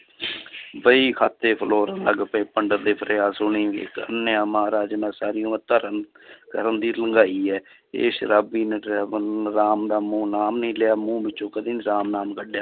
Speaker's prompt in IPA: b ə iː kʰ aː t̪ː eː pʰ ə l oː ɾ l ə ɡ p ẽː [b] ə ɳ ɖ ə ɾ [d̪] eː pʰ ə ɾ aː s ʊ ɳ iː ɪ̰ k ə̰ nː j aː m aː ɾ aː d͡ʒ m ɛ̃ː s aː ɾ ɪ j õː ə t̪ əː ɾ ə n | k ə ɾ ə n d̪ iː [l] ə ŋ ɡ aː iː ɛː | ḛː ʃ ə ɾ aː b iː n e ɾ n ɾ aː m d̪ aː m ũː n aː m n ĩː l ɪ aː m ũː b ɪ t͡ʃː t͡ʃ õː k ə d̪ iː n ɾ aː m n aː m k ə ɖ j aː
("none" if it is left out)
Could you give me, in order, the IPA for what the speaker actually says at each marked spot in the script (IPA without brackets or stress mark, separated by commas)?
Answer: p, d̪, l